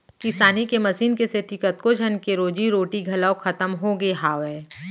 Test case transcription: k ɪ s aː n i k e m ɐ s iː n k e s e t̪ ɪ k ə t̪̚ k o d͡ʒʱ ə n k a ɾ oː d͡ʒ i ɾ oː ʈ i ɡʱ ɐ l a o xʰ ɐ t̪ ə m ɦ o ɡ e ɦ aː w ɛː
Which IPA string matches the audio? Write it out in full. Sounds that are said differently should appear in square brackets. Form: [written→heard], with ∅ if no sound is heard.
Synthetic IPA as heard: k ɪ s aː n i k e m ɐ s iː n k e s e t̪ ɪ k ə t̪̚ k o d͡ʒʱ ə n k [a→e] ɾ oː d͡ʒ i ɾ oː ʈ i ɡʱ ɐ l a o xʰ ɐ t̪ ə m ɦ o ɡ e ɦ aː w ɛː